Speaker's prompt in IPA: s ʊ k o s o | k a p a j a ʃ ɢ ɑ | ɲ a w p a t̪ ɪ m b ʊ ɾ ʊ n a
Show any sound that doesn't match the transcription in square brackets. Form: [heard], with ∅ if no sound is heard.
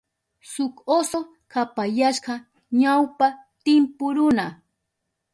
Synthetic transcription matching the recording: s ʊ k o s o | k a p a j a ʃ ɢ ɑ | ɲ a w p a t̪ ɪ m [p] ʊ ɾ ʊ n a